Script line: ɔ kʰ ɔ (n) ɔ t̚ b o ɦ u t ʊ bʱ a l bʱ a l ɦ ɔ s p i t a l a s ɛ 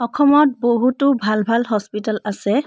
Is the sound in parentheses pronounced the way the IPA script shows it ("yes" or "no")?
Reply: no